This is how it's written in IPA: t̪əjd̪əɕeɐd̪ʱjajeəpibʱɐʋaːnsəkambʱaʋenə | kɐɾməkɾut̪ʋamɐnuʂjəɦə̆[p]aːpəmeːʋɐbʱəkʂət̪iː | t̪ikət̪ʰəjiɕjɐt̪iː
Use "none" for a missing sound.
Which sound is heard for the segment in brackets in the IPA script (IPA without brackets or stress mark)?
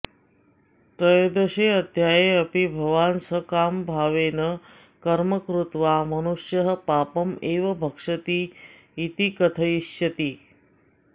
p